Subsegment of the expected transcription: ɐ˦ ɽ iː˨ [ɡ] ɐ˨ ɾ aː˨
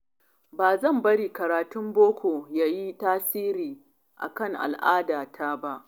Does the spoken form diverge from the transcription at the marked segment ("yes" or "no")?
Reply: yes